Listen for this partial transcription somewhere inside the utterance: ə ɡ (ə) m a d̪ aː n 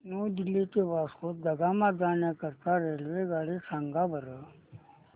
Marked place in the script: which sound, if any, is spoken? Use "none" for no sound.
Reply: a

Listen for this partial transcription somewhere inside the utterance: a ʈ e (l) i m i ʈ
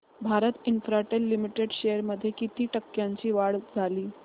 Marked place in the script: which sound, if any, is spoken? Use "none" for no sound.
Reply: lː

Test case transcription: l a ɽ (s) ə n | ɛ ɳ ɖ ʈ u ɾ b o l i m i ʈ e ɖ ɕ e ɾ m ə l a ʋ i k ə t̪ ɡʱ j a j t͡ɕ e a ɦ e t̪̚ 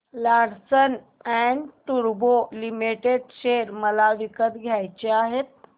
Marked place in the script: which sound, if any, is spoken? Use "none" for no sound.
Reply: s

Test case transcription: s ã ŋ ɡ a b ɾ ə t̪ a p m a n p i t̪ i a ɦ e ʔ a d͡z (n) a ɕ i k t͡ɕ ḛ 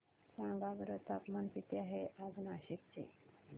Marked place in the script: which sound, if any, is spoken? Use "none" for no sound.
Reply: n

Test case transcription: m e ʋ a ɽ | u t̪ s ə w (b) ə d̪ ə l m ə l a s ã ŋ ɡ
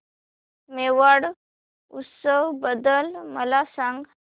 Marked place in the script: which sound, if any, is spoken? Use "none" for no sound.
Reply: b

